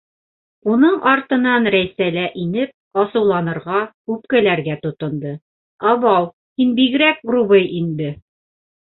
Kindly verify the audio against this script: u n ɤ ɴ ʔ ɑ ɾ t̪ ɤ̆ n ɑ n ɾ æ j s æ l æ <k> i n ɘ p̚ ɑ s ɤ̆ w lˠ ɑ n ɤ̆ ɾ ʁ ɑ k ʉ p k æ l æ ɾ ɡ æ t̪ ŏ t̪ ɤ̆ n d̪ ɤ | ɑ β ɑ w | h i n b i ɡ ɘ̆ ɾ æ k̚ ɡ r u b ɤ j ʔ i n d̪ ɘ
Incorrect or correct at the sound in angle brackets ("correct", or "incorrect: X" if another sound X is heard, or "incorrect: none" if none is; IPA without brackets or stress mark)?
incorrect: ʔ